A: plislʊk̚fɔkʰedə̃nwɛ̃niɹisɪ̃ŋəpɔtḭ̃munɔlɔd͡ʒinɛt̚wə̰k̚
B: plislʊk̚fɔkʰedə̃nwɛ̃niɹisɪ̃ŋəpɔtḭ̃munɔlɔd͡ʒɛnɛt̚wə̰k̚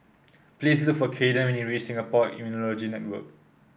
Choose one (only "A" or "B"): A